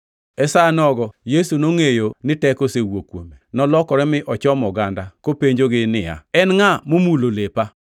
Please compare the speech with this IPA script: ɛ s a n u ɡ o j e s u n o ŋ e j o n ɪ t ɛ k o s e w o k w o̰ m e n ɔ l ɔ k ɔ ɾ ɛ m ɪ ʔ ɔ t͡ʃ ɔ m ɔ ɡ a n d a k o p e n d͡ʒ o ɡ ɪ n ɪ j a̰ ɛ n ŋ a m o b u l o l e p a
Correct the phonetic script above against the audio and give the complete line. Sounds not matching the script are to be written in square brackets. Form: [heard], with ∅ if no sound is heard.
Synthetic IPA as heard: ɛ s a n [ɔ] ɡ [ɔ] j e s u n o ŋ e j o n ɪ t ɛ k o s e w o k w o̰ m e n ɔ l ɔ k ɔ ɾ ɛ m ɪ ʔ ɔ t͡ʃ ɔ m ɔ ɡ a n d a k o p e [ɲ] d͡ʒ o ɡ ɪ n ɪ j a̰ ɛ n ŋ a m o [m] u l o l e p a